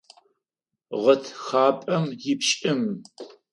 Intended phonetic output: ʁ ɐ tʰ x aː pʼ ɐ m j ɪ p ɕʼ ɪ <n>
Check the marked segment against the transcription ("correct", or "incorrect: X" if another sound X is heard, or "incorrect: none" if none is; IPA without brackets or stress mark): incorrect: m